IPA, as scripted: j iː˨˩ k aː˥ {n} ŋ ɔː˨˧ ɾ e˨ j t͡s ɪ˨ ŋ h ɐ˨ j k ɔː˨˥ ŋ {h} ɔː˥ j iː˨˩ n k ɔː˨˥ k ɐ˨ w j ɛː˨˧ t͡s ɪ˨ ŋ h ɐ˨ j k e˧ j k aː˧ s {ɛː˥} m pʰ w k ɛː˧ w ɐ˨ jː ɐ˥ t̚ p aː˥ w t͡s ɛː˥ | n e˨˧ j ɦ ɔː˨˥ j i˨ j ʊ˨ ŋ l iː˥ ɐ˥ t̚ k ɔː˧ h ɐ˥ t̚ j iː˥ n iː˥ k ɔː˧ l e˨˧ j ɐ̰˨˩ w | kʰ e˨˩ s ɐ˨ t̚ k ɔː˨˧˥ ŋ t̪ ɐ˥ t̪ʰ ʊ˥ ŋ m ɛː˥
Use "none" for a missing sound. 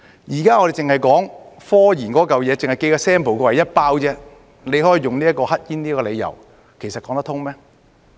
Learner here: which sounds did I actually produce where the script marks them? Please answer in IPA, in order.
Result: none, f, ɛː˥

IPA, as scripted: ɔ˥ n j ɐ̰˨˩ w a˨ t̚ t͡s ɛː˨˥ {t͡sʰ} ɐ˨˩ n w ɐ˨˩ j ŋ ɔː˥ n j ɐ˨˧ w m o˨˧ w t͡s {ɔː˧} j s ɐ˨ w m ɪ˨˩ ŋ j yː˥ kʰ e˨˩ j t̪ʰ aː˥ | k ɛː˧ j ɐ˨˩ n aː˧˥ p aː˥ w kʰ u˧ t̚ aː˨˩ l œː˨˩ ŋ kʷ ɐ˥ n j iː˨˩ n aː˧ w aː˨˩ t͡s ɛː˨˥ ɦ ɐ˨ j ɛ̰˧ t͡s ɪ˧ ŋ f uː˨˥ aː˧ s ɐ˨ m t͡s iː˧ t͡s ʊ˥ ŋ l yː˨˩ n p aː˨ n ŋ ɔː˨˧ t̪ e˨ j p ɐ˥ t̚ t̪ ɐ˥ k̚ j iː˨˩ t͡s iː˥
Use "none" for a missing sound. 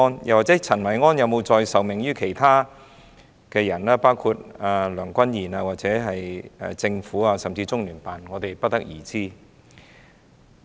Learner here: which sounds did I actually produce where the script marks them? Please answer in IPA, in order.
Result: t͡sʰ, ɔː˧

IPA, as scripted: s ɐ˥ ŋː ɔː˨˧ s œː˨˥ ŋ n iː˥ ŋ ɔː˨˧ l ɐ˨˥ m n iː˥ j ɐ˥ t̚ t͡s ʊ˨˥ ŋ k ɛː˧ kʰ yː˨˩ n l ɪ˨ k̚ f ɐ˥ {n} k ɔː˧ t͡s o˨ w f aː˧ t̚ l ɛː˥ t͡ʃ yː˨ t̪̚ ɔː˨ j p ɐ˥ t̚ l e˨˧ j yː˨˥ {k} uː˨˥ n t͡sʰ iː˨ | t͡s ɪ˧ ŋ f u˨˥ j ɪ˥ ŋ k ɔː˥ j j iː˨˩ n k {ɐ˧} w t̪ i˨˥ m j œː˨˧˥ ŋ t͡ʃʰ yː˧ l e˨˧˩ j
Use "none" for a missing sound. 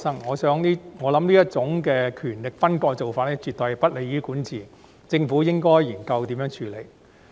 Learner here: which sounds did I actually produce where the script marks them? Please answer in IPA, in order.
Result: n, k, ɐ˧

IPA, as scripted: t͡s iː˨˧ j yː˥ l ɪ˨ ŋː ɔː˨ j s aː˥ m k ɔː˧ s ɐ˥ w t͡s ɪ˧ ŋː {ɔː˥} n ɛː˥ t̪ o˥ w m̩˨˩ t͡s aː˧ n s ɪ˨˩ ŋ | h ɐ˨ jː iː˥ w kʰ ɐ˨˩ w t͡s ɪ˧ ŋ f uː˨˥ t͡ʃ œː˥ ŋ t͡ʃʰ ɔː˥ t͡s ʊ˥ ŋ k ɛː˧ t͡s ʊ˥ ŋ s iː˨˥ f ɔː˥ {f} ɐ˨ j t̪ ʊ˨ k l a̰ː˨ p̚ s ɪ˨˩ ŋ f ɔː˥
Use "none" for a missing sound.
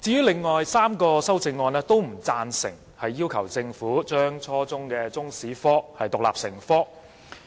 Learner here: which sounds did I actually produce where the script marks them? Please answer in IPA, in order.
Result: ɔː˧, h

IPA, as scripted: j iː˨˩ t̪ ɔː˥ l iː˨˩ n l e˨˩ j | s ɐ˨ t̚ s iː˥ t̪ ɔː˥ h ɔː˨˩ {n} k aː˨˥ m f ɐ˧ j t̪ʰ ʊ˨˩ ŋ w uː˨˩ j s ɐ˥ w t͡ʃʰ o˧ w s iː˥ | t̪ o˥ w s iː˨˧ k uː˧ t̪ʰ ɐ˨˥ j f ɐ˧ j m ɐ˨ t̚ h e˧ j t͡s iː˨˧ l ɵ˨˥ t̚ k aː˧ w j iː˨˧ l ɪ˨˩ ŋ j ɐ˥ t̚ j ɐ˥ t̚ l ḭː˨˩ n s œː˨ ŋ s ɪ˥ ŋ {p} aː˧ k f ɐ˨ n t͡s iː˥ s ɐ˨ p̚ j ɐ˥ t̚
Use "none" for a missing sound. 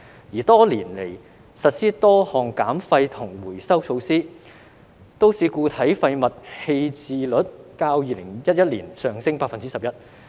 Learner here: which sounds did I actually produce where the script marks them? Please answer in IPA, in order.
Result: ŋ, p

